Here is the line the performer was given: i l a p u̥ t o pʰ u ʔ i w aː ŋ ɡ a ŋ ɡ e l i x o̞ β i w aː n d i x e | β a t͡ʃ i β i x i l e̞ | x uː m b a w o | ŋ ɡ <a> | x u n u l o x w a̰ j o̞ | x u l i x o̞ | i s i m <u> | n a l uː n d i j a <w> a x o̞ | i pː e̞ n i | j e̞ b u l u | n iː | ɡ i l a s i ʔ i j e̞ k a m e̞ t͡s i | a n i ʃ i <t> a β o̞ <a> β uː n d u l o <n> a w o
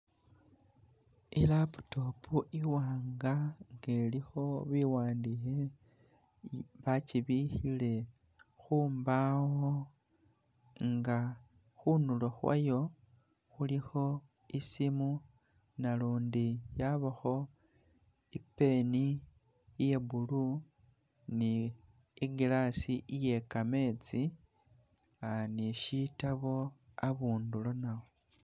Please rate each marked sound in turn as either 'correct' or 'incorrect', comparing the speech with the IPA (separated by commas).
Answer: correct, correct, incorrect, correct, correct, correct